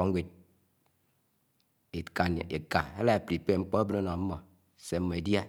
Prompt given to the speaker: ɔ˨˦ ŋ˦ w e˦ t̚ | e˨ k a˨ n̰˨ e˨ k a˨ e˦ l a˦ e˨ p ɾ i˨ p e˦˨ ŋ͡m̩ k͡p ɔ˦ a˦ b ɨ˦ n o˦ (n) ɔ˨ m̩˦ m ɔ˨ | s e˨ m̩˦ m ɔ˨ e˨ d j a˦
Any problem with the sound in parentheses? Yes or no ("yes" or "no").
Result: no